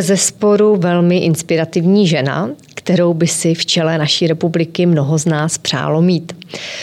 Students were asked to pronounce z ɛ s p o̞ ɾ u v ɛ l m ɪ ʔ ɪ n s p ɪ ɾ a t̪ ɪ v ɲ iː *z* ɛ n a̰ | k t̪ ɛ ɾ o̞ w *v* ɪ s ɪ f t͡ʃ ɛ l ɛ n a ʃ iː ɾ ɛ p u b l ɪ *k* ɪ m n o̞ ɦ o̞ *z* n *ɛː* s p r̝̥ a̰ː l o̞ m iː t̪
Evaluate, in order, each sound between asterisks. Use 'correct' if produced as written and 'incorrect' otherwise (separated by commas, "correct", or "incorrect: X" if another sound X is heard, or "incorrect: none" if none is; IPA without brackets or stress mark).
incorrect: ʒ, incorrect: b, correct, correct, incorrect: aː